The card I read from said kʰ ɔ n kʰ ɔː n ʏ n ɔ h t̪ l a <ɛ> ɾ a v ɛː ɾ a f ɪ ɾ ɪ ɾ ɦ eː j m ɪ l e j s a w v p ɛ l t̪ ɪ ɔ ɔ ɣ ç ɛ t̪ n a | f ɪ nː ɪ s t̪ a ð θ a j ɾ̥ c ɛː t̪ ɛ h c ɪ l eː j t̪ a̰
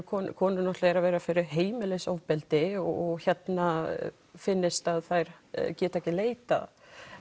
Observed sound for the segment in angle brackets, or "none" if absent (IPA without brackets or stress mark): ɛ